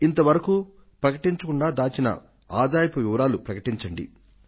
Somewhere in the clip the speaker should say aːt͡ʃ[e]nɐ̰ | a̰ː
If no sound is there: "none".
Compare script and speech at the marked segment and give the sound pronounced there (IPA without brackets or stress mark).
i